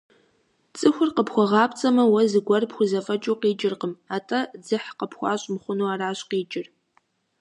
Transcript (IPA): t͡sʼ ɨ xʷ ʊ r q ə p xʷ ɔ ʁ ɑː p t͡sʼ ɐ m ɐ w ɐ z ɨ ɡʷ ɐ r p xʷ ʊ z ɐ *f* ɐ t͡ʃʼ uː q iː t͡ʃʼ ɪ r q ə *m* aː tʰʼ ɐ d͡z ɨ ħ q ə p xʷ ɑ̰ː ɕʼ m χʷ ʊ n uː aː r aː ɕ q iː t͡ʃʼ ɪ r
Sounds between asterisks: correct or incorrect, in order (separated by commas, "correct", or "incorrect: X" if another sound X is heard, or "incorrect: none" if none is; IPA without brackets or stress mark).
correct, correct